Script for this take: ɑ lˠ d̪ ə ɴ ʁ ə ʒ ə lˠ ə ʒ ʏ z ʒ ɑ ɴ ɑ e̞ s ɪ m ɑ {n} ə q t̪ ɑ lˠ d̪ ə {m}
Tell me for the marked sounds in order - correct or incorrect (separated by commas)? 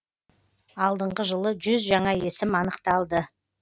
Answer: correct, incorrect